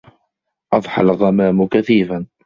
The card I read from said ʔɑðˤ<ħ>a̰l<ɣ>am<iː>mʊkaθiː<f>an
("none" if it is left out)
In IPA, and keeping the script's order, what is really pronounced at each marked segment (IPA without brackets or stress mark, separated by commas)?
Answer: ħ, ɣ, aː, f